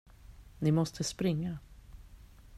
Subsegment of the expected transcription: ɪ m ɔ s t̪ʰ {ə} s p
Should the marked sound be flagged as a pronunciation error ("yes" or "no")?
no